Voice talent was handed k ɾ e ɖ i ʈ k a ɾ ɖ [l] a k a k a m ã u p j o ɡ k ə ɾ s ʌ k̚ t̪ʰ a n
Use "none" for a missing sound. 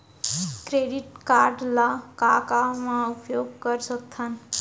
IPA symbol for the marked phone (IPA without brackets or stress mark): l